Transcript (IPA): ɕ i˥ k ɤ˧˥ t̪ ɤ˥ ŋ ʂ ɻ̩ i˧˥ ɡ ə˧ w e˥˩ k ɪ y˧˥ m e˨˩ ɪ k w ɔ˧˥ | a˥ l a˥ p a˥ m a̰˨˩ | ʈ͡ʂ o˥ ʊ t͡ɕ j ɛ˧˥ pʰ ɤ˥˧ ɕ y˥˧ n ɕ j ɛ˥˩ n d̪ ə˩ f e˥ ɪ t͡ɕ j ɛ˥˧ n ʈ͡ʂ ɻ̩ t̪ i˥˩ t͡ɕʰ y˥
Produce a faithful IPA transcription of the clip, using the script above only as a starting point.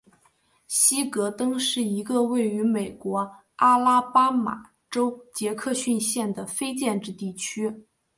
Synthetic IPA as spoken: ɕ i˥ k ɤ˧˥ t̪ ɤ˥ ŋ ʂ ɻ̩ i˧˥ ɡ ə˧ w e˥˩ ɪ y˧˥ m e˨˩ ɪ k w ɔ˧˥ | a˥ l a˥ p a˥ m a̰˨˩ | ʈ͡ʂ o˥ ʊ t͡ɕ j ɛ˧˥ kʰ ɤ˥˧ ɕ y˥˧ n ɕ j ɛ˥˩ n d̪ ə˩ f e˥ ɪ t͡ɕ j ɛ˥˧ n ʈ͡ʂ ɻ̩ t̪ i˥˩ t͡ɕʰ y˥